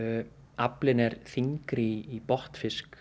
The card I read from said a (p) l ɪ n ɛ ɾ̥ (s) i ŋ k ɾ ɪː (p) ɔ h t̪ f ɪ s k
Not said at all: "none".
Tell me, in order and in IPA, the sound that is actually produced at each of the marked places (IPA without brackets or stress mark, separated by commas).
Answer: p, θ, p